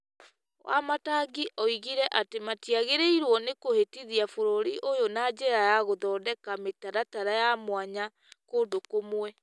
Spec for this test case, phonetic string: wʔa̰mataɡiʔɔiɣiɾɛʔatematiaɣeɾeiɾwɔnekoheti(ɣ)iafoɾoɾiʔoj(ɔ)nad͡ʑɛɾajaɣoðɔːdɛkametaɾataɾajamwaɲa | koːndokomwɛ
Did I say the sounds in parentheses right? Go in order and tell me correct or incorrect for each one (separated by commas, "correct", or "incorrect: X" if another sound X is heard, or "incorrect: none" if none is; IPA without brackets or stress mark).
incorrect: ð, incorrect: o